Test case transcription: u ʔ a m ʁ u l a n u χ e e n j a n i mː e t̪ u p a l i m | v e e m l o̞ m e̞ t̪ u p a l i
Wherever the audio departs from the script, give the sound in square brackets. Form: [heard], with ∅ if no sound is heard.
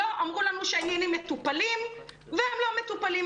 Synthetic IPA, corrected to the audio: [o] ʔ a m ʁ u l a n u [ʃ] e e n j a n i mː e t̪ u p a l i m | v e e m l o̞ m e̞ t̪ u p a l i

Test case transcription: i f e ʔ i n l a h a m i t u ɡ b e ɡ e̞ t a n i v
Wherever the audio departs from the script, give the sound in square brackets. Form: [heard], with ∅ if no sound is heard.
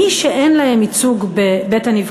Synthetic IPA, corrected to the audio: i [ʃ] e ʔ [e] n l a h [e] m i [t͡s] u ɡ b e [b] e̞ t a n i v

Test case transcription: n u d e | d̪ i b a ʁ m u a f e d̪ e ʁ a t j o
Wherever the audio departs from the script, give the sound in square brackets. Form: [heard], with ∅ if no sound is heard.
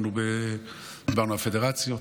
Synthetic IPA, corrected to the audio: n u [b] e | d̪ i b a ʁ [n] u a f e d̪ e ʁ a [t͡s] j o

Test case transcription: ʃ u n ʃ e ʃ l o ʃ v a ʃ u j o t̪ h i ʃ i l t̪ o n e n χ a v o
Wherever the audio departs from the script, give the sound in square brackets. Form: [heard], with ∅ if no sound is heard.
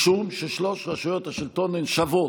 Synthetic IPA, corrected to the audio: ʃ u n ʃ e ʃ l o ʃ [ʁ] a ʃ u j o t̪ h [a] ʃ i l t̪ o n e n [ʃ] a v o

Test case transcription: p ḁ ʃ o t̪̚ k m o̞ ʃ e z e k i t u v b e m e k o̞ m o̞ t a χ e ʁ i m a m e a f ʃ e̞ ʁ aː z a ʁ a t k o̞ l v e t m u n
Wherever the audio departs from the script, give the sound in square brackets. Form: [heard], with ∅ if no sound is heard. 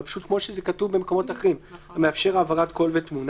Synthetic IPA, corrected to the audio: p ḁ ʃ [u] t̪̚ k m o̞ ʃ e z e k [a] t u v b e m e k o̞ m o̞ t a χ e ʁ i m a m e a f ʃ e̞ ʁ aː [v] a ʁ a t k o̞ l v e t m u n

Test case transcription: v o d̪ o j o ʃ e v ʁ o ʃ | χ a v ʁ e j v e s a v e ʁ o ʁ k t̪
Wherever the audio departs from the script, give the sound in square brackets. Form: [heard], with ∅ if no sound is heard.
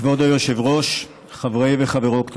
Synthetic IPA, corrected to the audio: v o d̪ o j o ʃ e v ʁ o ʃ | χ a v ʁ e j v e [χ] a v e ʁ o [∅] k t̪

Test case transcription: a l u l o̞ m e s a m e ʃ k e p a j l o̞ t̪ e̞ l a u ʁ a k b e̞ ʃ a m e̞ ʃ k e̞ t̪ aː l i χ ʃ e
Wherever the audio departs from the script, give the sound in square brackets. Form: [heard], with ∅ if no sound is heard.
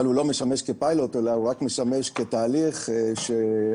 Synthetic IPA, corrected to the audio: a l u l o̞ m e [ʃ] a m e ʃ k e p a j l o̞ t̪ e̞ l a u ʁ a k [m] e̞ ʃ a m e̞ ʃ k e̞ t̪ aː l i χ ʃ e

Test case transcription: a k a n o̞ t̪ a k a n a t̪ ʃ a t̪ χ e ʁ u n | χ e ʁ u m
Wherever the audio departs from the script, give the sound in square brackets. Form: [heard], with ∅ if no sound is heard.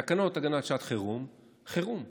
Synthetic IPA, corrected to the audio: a k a n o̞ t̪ a [ɡ] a n a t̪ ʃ a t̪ χ e ʁ u [m] | χ e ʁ u m

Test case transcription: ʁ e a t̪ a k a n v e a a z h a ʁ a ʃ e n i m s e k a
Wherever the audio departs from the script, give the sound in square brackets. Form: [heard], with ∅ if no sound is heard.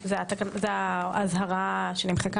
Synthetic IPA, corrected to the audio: [z] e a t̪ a k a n [z] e a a z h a ʁ a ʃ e n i m [χ] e k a

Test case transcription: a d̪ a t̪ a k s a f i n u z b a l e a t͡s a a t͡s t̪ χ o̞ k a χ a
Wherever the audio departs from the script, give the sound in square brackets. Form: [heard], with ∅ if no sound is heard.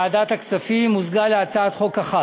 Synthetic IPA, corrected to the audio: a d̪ a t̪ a k s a f i [m] u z [ɡ] a l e a t͡s a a [∅] t̪ χ o̞ k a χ a

